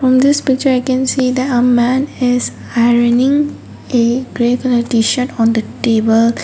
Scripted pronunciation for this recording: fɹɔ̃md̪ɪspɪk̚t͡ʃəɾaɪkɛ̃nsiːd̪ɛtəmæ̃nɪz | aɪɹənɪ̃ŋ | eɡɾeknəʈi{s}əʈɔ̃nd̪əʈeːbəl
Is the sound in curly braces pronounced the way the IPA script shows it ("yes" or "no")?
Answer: no